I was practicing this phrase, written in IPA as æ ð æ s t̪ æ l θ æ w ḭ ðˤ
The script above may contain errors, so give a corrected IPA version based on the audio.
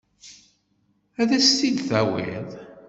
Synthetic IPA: æ ð æ s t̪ i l θ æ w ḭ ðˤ